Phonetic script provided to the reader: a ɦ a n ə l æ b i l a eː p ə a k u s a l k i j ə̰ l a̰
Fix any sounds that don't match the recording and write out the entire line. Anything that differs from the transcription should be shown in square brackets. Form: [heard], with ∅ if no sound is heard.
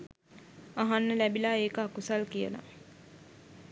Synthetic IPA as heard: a ɦ a [nː] ə l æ b i l a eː [k] ə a k u s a l k i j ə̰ l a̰